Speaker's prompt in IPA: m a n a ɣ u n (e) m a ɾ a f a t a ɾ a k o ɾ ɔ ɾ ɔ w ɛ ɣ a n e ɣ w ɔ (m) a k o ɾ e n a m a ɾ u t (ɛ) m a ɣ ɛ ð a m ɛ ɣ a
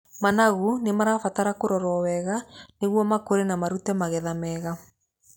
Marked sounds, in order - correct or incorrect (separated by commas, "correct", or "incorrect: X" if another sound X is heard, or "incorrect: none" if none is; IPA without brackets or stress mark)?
correct, correct, correct